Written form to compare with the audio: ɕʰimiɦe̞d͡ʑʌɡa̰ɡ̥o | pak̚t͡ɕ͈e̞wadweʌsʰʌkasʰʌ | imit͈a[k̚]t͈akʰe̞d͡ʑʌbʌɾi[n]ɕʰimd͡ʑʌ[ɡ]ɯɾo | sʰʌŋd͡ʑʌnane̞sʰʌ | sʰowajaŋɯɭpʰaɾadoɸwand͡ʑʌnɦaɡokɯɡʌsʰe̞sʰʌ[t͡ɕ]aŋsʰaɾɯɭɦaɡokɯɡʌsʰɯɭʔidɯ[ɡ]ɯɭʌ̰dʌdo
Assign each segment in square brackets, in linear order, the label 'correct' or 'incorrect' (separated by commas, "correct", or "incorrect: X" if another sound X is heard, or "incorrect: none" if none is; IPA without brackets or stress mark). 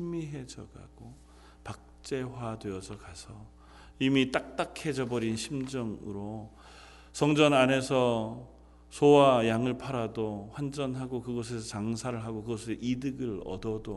correct, correct, incorrect: ŋ, correct, correct